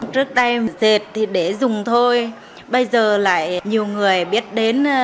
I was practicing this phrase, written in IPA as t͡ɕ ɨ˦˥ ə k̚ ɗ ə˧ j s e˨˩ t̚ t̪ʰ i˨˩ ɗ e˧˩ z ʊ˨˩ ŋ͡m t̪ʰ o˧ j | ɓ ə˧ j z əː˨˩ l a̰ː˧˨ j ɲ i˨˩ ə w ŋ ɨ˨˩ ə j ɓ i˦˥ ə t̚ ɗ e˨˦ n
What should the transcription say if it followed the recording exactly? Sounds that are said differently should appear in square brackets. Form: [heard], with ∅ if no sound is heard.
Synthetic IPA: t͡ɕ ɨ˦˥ ə k̚ ɗ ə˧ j [z] e˨˩ t̚ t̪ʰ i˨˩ ɗ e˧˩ z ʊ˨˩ ŋ͡m t̪ʰ o˧ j | ɓ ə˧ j z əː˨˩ l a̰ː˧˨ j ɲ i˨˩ ə w ŋ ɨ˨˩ ə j ɓ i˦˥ ə t̚ ɗ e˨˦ n